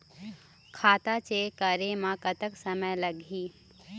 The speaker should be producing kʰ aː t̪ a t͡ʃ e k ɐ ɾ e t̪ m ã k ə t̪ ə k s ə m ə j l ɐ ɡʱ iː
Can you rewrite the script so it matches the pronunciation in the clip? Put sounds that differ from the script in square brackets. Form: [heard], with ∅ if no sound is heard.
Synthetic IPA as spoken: kʰ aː t̪ a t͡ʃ e k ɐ ɾ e [∅] m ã k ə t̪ ə k s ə m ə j l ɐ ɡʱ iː